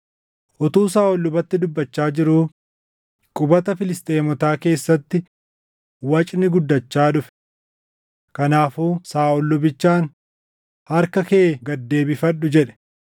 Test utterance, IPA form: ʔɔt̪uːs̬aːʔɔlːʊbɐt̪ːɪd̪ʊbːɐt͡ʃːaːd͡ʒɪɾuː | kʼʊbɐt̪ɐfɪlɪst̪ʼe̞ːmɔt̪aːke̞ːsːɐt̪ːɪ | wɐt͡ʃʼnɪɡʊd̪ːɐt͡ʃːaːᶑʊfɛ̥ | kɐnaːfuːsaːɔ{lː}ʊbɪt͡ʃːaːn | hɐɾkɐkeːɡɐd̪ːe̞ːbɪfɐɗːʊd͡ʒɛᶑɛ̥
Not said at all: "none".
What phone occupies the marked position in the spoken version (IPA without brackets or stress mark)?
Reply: lː